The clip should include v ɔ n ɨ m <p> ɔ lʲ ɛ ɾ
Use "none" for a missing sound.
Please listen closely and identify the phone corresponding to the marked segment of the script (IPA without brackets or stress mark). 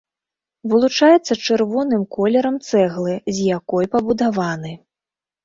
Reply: k